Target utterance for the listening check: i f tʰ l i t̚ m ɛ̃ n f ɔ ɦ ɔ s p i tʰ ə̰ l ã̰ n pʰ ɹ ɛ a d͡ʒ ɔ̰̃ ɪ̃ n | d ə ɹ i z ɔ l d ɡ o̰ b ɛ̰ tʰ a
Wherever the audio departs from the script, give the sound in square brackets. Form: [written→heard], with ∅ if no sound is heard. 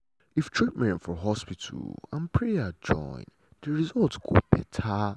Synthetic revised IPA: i f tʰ [l→ɹ] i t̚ m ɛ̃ n f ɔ ɦ ɔ s p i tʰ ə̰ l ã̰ n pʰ ɹ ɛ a d͡ʒ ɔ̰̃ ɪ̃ n | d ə ɹ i z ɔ l [d→t] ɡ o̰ b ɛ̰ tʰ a